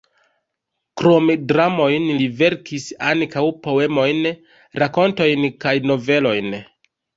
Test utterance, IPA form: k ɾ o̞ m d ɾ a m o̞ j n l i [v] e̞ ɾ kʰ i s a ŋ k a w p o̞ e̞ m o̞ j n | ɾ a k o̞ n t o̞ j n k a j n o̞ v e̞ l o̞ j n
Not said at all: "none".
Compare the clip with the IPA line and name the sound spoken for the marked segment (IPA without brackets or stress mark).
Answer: v